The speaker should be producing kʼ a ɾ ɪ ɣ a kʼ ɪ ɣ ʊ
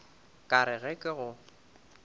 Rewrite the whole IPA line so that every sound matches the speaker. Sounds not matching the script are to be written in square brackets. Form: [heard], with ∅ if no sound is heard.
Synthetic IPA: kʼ a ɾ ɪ ɣ [ɛ] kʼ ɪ ɣ ʊ